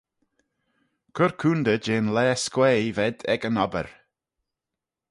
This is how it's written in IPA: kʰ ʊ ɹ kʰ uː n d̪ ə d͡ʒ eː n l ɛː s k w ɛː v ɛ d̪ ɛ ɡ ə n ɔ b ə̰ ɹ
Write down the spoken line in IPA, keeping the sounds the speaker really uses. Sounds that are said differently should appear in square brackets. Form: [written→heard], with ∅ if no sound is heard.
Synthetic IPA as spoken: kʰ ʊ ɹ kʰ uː n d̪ ə d͡ʒ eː n l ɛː s k w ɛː v ɛ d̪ ɛ ɡ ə n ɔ b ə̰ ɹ